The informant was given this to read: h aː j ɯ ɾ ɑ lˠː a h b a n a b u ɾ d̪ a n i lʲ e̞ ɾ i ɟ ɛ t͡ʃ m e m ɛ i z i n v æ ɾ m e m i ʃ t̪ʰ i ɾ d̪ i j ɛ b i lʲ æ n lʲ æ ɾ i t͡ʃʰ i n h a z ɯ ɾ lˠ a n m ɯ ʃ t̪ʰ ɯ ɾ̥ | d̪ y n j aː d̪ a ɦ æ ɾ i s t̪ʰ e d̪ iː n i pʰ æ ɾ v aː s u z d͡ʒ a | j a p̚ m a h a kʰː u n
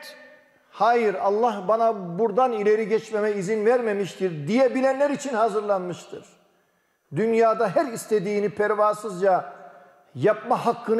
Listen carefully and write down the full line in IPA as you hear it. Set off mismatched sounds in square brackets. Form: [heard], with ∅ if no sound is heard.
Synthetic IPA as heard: h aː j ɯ ɾ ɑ lˠː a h b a n a b u ɾ d̪ a n i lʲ e̞ ɾ i ɟ ɛ t͡ʃ m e m ɛ i z i n v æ ɾ m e m i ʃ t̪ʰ i ɾ d̪ i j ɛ b i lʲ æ n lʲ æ ɾ i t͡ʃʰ i n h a z ɯ ɾ lˠ a n m ɯ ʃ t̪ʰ ɯ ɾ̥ | d̪ y n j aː d̪ a ɦ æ ɾ i s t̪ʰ e d̪ iː n i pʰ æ ɾ v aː s [ɯ] z d͡ʒ a | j a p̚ m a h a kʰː [ɯ] n